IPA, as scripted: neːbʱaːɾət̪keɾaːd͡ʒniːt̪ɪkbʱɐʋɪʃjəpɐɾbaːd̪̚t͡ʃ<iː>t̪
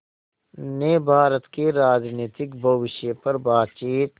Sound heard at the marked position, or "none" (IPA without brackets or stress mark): iː